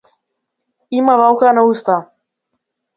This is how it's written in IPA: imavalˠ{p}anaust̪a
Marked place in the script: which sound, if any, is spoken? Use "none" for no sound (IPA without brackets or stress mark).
k